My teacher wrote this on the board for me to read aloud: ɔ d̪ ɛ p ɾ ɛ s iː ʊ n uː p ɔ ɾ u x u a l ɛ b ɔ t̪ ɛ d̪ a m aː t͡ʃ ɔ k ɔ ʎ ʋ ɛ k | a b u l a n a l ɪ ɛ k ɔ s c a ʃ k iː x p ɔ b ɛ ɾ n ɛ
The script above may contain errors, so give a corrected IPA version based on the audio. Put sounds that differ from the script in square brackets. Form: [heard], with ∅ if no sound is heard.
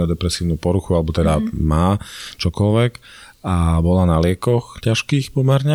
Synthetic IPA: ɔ d̪ ɛ p ɾ ɛ s iː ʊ n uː p ɔ ɾ u x u a l ɛ b ɔ t̪ ɛ d̪ a m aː t͡ʃ ɔ k ɔ [l] ʋ ɛ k | a b [ɔ] l a n a l ɪ ɛ k ɔ [x] c a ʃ k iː x p ɔ [m] ɛ ɾ [ɲ] ɛ